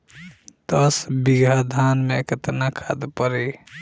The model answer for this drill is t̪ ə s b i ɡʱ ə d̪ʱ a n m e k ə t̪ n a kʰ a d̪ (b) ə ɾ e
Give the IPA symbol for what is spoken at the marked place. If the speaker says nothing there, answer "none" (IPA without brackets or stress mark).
p